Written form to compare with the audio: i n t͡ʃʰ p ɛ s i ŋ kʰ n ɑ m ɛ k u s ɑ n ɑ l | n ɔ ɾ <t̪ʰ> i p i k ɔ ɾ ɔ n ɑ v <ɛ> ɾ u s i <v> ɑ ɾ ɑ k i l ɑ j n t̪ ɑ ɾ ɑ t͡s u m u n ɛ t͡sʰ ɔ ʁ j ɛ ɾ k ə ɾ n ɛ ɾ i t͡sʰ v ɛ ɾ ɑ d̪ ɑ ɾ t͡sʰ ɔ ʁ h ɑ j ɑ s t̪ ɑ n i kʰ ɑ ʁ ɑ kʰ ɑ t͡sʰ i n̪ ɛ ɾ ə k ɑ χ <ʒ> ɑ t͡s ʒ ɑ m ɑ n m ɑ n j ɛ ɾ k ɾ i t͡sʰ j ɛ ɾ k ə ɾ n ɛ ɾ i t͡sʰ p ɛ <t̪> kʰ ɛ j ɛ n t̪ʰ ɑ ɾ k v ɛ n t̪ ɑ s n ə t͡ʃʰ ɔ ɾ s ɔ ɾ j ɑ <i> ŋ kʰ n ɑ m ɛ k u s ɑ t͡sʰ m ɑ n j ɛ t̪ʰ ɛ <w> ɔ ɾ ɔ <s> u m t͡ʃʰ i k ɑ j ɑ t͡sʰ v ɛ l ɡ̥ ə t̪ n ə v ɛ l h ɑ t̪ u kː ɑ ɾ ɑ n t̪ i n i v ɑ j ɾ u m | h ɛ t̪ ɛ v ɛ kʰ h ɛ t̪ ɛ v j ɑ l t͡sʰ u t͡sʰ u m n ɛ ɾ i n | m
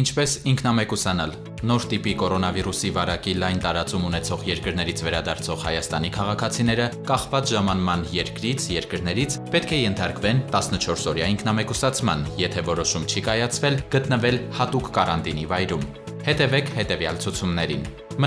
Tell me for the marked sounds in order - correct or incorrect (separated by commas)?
incorrect, incorrect, correct, incorrect, correct, correct, incorrect, incorrect